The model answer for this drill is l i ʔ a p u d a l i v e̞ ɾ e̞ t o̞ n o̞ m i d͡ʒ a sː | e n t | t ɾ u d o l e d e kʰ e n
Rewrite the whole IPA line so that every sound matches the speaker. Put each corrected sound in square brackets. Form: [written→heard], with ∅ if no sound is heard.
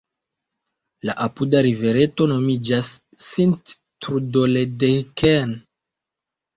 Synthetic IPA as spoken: l [i→a] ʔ a p u d a [l→ɾ] i v e̞ ɾ e̞ t o̞ n o̞ m i d͡ʒ a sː | [e→i] n t | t ɾ u d o l e d e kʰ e n